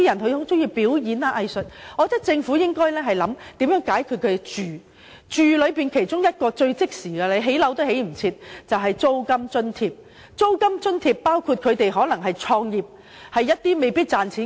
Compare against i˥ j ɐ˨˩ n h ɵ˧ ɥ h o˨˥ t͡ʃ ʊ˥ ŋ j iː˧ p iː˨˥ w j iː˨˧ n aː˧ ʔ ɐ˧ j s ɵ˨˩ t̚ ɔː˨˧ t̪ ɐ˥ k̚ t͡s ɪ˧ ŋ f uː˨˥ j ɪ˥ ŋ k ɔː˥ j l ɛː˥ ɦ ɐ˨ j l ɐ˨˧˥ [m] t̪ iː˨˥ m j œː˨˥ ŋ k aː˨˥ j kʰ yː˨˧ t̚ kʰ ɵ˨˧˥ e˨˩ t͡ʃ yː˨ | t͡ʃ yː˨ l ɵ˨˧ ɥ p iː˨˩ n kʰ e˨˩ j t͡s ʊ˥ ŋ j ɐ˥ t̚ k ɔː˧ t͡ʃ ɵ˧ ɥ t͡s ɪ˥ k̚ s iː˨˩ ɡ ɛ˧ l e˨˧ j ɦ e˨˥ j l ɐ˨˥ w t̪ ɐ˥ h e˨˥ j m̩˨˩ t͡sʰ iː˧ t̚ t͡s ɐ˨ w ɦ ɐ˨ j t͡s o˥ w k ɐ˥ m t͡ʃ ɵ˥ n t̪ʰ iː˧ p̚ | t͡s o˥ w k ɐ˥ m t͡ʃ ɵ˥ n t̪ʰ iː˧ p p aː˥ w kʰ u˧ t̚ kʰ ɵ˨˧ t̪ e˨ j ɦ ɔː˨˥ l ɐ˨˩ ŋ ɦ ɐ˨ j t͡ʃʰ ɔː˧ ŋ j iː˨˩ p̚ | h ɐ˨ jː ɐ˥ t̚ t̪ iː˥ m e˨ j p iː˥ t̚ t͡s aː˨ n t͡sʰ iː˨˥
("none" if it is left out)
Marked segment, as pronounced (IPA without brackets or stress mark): m